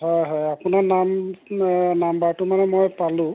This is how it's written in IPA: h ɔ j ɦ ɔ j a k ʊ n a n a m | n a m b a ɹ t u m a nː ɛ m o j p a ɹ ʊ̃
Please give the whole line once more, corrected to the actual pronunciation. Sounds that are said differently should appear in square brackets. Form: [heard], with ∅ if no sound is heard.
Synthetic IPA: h ɔ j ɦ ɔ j a [p] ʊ n a n a m | n a m b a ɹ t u m a [n] ɛ m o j p a [l] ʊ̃